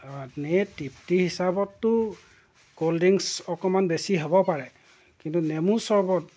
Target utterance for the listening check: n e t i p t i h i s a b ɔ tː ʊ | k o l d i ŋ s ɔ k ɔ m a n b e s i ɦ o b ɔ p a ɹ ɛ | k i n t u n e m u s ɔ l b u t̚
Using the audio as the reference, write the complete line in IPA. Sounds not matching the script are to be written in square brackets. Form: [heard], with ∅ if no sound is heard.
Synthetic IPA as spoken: n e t i p t i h i s a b ɔ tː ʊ | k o l d i ŋ s ɔ k ɔ m a n b e s i ɦ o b ɔ p a ɹ ɛ | k i n t u n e m u s ɔ [ɹ] b [ɔ] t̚